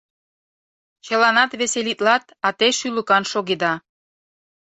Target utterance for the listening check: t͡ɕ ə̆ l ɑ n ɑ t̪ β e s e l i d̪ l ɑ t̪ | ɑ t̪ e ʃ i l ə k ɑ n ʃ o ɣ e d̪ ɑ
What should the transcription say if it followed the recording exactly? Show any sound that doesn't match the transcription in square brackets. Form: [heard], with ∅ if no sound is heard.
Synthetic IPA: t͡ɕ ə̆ l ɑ n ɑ t̪ β e s e l i [t̪] l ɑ t̪ | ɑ t̪ e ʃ [y] l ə k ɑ n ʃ o ɣ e d̪ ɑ